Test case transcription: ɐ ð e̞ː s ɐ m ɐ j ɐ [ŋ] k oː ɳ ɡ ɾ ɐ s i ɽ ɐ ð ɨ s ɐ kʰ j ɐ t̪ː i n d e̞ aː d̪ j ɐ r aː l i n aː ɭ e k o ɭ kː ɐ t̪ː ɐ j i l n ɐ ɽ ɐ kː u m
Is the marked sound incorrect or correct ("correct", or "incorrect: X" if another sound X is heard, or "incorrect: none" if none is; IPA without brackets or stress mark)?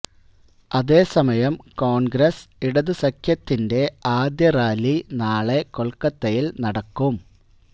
incorrect: m